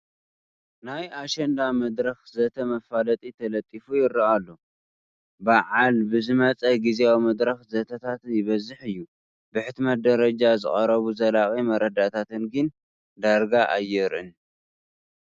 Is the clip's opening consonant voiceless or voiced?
voiced